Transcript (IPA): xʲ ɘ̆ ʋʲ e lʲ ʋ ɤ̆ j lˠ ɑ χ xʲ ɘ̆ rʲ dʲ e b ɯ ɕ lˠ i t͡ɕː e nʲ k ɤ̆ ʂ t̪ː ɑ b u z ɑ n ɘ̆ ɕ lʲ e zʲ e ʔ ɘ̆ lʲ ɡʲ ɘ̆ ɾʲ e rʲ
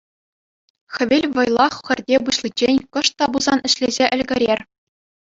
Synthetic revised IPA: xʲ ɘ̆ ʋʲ e lʲ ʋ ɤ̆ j lˠ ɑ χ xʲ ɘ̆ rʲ dʲ e b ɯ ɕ lˠ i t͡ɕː e nʲ k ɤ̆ ʂ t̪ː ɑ b u z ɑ n ɘ̆ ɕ lʲ e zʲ e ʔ ɘ̆ lʲ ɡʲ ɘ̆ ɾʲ e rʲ